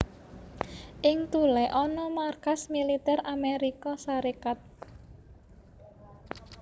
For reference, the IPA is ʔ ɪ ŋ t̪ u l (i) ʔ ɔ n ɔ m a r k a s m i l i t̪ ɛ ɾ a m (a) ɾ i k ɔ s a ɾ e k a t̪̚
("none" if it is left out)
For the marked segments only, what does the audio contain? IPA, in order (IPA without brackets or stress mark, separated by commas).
ɛ, e